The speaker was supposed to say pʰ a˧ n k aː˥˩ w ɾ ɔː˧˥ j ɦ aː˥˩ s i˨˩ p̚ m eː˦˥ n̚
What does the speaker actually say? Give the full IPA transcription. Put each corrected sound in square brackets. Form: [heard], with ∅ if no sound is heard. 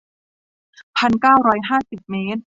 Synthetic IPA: pʰ a˧ n k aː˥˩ w ɾ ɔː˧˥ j ɦ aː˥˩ s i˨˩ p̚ m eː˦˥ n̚